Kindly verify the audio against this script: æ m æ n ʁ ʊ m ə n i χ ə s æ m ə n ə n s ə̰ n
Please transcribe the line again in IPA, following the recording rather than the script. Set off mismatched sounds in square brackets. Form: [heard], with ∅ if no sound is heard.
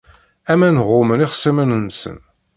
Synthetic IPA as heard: æ m æ n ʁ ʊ m ə n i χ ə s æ m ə n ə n s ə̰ n